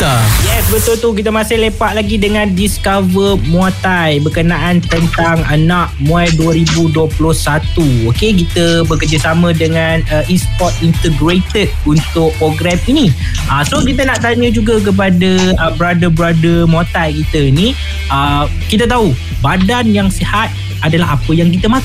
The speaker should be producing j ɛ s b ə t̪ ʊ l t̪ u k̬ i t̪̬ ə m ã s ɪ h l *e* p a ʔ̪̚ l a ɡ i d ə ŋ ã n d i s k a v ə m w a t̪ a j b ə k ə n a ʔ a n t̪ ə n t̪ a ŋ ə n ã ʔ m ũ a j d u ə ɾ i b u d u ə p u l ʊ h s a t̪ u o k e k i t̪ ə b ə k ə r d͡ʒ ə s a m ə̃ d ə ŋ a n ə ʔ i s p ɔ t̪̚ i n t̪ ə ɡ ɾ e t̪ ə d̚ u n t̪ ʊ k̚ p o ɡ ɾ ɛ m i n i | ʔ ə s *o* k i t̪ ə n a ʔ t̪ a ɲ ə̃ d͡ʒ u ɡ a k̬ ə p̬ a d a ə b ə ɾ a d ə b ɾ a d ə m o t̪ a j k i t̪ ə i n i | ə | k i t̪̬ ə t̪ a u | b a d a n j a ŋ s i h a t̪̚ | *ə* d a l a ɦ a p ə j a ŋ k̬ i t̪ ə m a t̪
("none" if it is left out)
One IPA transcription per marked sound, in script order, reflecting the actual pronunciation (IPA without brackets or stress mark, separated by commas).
e, o, a